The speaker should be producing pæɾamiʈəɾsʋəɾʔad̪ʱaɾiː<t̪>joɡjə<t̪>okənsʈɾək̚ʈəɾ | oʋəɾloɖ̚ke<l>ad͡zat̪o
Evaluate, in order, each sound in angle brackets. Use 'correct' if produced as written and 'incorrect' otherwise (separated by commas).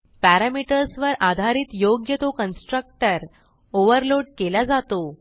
correct, correct, correct